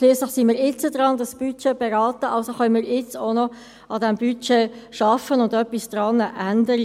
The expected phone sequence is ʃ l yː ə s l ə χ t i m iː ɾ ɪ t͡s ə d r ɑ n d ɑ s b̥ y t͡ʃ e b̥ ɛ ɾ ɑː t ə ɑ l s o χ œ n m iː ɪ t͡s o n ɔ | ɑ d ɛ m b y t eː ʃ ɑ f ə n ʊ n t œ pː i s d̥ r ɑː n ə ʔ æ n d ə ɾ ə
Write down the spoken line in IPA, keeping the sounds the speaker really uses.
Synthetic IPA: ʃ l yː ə s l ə χ s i m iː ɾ ɪ t͡s ə d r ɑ n d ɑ s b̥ y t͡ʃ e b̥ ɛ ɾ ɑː t ə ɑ l s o χ œ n m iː ɪ t͡s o n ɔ | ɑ d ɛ m b y t͡ʃ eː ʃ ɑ f ə n ʊ n d œ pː i s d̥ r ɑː n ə ʔ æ n d ə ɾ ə